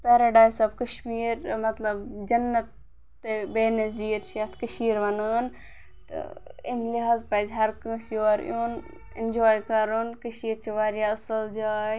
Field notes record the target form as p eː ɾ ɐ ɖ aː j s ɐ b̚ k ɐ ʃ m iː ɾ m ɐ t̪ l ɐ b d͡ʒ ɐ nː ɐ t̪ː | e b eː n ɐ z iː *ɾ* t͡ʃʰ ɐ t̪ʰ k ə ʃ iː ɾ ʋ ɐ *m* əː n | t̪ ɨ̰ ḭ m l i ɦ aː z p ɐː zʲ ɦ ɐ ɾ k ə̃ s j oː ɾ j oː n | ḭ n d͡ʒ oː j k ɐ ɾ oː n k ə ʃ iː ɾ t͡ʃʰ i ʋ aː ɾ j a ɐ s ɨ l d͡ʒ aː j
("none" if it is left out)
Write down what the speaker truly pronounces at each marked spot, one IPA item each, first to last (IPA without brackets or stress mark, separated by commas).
ɾ, n